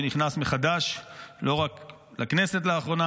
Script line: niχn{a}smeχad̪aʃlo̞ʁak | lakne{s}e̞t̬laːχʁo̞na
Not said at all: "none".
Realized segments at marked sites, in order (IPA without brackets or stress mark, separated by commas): a, s